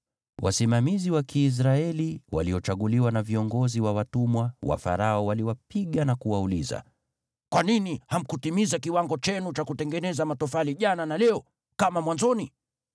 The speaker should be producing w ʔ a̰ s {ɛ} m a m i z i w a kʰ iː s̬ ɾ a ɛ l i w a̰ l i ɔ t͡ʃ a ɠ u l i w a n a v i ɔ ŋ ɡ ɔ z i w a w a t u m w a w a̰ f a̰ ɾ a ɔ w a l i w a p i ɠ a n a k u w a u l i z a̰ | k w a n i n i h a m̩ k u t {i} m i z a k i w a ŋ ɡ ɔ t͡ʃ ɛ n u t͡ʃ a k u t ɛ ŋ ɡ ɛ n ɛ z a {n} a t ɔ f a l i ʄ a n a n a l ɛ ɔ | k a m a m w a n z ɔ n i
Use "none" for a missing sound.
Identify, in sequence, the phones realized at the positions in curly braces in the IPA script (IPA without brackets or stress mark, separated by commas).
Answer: i, i, m